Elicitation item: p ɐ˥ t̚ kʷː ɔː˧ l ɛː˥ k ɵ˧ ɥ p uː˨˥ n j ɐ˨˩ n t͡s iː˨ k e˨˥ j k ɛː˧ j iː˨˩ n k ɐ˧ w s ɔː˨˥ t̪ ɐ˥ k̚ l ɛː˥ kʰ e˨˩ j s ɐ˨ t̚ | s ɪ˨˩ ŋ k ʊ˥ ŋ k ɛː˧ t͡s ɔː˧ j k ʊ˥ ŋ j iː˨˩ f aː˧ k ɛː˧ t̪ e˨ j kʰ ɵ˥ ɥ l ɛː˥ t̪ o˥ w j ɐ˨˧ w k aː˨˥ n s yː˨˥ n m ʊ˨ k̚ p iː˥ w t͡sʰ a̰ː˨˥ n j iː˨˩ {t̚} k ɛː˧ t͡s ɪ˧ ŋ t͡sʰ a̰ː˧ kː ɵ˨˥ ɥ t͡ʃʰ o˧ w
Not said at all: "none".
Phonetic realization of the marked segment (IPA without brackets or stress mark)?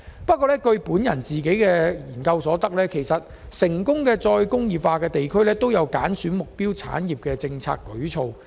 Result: p̚